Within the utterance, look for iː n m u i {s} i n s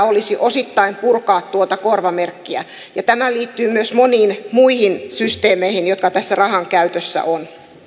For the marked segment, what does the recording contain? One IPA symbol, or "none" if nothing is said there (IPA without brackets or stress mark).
h